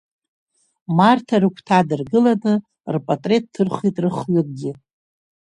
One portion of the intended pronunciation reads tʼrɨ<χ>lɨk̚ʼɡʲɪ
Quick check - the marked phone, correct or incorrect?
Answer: correct